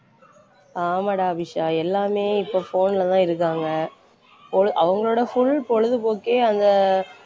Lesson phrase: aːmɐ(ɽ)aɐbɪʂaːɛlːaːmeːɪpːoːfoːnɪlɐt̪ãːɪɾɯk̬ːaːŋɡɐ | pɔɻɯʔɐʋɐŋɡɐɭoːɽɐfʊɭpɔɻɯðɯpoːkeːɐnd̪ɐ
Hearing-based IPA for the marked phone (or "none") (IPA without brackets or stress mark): ɽ